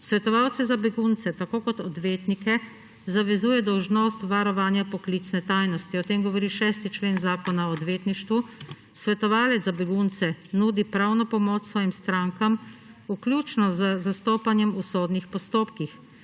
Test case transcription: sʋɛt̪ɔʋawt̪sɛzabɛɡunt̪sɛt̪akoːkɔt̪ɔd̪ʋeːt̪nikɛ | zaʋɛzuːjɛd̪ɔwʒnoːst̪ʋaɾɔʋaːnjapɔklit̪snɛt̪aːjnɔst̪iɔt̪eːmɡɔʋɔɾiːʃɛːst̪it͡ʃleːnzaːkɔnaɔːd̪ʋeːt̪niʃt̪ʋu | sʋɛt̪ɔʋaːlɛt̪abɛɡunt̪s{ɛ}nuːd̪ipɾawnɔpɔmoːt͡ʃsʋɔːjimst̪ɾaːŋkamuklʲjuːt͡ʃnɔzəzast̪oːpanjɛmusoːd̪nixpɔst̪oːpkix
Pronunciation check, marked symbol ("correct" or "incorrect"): correct